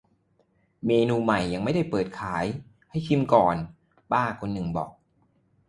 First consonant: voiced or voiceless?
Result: voiced